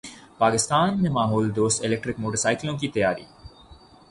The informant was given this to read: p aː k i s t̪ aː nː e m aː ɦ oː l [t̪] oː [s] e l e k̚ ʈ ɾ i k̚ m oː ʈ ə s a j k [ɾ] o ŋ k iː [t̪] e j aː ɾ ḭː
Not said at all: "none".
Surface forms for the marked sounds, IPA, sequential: d̪, s, l, t̪

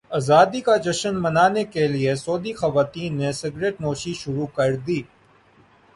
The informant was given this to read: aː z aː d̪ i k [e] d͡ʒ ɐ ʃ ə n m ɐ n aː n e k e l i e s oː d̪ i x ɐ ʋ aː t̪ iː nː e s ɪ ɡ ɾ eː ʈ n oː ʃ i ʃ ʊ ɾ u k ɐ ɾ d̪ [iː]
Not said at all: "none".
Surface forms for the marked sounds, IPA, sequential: a, iː

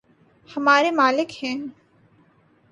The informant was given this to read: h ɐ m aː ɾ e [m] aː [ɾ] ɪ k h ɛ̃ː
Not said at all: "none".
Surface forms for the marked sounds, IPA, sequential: m, l

